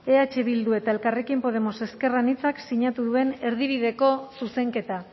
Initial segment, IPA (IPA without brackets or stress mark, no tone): e̞